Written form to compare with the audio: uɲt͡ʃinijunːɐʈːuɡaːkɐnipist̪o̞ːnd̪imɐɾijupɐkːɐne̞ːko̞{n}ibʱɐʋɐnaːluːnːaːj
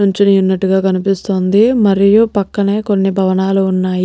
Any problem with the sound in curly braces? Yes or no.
yes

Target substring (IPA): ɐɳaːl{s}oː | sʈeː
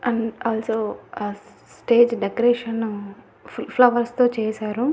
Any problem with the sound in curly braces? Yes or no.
no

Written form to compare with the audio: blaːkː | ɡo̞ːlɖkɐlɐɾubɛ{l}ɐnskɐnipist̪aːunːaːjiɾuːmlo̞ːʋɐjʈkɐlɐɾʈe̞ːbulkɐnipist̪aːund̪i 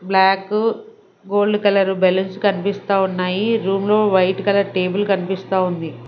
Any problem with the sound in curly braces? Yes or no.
no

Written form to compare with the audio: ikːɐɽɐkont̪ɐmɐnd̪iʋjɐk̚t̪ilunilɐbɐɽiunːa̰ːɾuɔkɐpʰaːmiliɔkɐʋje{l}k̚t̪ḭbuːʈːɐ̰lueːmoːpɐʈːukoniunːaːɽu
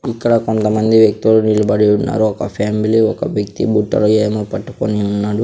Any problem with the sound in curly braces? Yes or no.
yes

